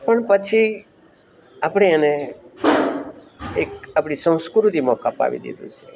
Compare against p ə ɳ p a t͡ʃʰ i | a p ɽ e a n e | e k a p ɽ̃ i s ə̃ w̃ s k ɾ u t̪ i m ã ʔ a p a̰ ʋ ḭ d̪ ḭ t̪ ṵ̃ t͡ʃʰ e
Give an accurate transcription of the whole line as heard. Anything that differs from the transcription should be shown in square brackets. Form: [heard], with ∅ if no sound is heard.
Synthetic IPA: p ə ɳ p [ə] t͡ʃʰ i | a p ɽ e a n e | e k a p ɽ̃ i s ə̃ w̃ s k ɾ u t̪ i m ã [k] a p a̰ ʋ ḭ d̪ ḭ [d̪] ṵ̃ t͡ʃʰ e